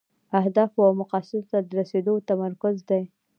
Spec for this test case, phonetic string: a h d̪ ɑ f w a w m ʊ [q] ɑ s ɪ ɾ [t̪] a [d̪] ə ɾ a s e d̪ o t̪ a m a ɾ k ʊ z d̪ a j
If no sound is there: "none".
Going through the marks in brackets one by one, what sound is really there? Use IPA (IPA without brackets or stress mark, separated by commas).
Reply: q, t̪, d̪